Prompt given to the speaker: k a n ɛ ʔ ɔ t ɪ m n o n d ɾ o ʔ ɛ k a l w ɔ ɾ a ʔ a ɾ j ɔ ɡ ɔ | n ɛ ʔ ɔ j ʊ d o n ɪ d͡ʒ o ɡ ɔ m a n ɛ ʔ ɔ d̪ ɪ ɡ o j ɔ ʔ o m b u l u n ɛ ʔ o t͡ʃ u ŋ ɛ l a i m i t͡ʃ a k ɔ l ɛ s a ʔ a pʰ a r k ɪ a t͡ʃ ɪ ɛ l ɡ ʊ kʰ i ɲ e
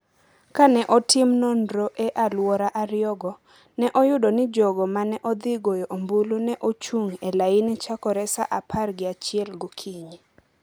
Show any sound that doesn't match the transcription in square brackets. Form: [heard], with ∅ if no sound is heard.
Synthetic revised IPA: k a n ɛ ʔ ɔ t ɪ m n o n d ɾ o ʔ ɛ [ʔ] a l w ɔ ɾ a ʔ a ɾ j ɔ ɡ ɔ | n ɛ ʔ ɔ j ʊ d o n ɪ d͡ʒ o ɡ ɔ m a n ɛ ʔ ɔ d̪ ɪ ɡ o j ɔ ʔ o m b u l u n ɛ ʔ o t͡ʃ u ŋ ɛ l a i [n] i t͡ʃ a k ɔ [ɾ] ɛ s a ʔ a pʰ a r [ɡ] ɪ a t͡ʃ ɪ ɛ l ɡ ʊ kʰ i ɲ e